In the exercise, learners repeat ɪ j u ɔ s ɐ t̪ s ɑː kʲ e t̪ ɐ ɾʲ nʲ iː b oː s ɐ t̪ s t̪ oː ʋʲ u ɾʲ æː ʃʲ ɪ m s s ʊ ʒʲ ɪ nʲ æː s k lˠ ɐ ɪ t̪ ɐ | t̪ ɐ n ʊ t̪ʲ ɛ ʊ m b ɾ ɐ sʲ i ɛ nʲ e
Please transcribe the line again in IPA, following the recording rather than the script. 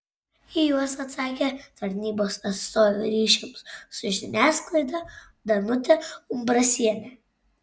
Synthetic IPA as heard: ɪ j u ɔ s ɐ t̪ s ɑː kʲ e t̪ ɐ ɾʲ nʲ iː b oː s ɐ t̪ s t̪ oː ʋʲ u ɾʲ iː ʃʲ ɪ m s s ʊ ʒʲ ɪ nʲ æː s k lˠ ɐ ɪ d̪ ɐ | d̪ ɐ n ʊ t̪ʲ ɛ ʊ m b ɾ ɐ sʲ i ɛ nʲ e